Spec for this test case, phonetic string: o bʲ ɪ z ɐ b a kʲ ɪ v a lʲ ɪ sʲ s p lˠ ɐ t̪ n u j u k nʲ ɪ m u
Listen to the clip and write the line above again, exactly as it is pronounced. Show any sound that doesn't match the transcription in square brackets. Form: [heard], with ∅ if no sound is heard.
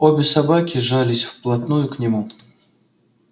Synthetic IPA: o bʲ ɪ [s] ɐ b a kʲ ɪ [ʐ] a lʲ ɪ sʲ [f] p lˠ ɐ t̪ n u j [ʊ] k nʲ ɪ m u